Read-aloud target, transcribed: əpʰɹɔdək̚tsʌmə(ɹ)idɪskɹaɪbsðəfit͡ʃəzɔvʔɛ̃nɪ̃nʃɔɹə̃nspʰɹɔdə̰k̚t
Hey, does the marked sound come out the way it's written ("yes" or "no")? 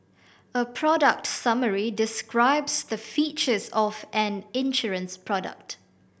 yes